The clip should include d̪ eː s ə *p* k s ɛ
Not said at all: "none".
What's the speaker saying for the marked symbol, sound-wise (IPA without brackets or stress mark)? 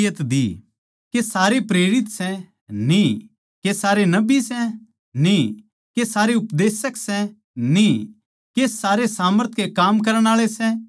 none